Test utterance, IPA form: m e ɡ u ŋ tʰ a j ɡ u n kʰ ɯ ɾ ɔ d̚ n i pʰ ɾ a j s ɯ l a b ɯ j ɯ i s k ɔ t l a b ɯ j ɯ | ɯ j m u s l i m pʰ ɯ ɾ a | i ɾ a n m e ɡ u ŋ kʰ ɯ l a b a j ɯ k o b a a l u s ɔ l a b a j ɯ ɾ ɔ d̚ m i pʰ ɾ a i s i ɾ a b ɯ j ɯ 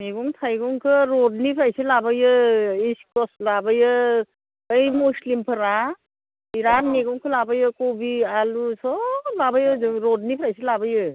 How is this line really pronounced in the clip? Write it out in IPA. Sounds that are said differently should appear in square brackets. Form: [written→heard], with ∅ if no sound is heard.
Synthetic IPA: m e ɡ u ŋ tʰ a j ɡ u [n→ŋ] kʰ ɯ ɾ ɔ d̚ n i pʰ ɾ a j s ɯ l a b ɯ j ɯ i s k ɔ [t→s] l a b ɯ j ɯ | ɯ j m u s l i m pʰ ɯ ɾ a | i ɾ a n m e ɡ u ŋ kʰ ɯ l a b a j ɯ k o b [a→i] a l u s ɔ l a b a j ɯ ɾ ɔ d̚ [m→n] i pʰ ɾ a [i→j] s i [ɾ→l] a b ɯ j ɯ